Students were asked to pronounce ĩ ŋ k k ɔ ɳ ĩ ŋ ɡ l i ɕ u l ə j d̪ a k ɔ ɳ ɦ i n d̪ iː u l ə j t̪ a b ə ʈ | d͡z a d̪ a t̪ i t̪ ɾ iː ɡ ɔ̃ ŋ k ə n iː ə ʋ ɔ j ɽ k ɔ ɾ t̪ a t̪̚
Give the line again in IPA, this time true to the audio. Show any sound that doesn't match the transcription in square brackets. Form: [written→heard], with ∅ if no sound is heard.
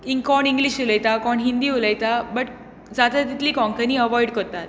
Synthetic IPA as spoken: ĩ ŋ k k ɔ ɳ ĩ ŋ ɡ l i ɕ u l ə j [d̪→t̪] a k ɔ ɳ ɦ i n d̪ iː u l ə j t̪ a b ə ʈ | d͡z a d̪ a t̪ i t̪ [ɾ→l] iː [ɡ→k] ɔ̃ ŋ k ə n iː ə ʋ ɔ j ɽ k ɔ ɾ t̪ a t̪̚